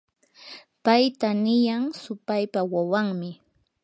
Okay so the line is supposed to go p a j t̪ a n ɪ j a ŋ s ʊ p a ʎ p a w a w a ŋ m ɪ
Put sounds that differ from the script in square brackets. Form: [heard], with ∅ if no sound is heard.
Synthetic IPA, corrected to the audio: p a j t̪ a n ɪ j a ŋ s ʊ p a [j] p a w a w a ŋ m ɪ